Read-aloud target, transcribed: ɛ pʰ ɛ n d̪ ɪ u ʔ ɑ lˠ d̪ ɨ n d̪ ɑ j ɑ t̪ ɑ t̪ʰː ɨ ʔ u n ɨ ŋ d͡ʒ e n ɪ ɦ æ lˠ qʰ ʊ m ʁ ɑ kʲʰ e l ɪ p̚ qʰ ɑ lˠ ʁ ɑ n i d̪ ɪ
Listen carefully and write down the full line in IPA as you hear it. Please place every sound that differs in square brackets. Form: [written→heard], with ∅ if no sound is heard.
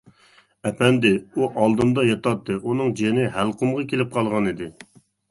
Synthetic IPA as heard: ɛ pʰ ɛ n d̪ ɪ u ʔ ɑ lˠ d̪ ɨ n d̪ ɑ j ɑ t̪ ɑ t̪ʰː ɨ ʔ u n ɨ ŋ d͡ʒ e n ɪ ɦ æ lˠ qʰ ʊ m ʁ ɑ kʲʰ e l ɪ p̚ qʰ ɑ lˠ ʁ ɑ n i d̪ ɪ

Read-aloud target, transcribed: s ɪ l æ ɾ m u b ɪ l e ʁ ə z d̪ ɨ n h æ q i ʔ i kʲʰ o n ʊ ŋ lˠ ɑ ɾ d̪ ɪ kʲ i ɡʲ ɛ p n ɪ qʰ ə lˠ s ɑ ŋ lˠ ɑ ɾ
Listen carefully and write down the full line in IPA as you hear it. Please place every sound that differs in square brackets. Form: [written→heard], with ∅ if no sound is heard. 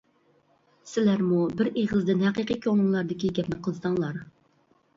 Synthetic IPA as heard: s ɪ l æ ɾ m u b ɪ [l→ɾ] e ʁ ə z d̪ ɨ n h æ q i [ʔ→q] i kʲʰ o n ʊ ŋ lˠ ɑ ɾ d̪ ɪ kʲ i ɡʲ ɛ p n ɪ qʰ ə lˠ s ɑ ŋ lˠ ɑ ɾ

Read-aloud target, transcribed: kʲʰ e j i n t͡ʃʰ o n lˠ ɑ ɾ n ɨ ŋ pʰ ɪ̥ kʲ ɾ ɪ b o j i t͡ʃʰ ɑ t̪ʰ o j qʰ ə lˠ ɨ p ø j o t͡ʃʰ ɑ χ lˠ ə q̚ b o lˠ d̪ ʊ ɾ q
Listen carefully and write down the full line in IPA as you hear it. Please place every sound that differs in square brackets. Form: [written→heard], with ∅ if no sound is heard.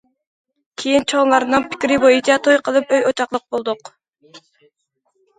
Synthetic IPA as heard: kʲʰ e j i n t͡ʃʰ o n lˠ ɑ ɾ n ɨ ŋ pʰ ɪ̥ kʲ ɾ ɪ b o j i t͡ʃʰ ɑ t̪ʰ o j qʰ ə lˠ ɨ p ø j o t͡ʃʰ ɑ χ lˠ ə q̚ b o lˠ d̪ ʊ [ɾ→∅] q

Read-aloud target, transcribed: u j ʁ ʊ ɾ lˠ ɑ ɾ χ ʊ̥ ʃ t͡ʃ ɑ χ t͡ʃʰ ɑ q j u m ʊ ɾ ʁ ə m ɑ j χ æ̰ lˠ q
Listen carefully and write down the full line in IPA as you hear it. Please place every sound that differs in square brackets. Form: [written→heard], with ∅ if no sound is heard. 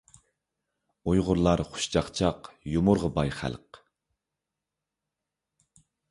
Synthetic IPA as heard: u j ʁ ʊ ɾ lˠ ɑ ɾ χ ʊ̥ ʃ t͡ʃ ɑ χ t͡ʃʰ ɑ q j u m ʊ ɾ ʁ ə [m→b] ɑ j χ æ̰ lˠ q

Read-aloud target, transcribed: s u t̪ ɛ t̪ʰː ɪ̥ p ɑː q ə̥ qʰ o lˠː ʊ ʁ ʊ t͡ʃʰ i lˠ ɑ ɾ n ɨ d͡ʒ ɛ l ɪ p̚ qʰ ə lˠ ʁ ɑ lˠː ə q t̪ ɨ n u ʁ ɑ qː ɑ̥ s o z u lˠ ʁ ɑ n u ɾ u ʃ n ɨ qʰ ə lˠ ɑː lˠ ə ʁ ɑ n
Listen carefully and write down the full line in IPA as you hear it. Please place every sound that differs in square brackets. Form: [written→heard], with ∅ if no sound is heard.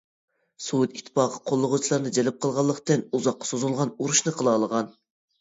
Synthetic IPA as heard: s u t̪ [ɛ→i] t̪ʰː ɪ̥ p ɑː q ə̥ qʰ o lˠː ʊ ʁ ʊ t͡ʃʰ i lˠ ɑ ɾ n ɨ d͡ʒ ɛ l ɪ p̚ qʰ ə lˠ ʁ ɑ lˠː ə q t̪ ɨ n u [ʁ→z] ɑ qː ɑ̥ s o z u lˠ ʁ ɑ n u ɾ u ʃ n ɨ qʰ ə lˠ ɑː lˠ ə ʁ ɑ n

